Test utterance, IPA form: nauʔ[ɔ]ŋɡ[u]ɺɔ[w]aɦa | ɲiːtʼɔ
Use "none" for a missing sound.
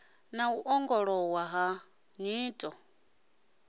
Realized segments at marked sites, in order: ɔ, ɔ, w

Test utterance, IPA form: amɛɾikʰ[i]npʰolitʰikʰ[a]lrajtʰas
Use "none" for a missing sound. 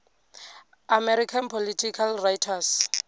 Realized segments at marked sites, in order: a, a

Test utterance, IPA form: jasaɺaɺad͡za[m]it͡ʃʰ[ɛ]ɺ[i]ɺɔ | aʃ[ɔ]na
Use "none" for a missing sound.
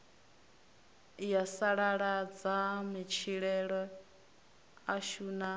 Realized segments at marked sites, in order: m, i, ɛ, u

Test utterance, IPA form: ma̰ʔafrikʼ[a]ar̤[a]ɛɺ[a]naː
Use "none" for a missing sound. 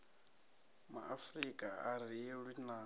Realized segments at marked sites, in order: a, i, i

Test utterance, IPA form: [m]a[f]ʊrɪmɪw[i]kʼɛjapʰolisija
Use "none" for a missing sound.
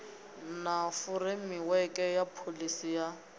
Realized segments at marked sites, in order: n, f, ɛ

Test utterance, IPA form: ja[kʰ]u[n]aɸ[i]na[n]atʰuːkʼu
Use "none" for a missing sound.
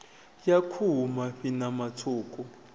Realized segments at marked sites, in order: kʰ, m, i, m

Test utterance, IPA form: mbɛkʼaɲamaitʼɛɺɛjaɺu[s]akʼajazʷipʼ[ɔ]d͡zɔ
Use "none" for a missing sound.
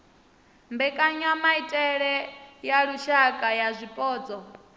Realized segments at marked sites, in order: ʃ, ɔː

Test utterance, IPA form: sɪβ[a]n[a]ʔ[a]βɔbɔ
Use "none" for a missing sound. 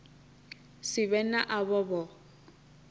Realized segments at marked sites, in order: ɛ, a, a

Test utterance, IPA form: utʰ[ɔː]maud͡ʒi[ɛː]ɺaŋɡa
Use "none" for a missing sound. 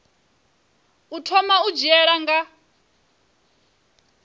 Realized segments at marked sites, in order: ɔ, ɛ

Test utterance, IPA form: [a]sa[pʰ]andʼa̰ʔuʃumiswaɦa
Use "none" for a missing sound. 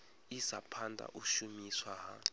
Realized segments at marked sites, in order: i, pʰ

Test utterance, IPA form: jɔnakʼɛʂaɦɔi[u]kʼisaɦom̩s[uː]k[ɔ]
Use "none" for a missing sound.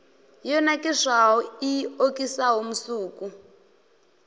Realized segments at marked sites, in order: o, uː, u

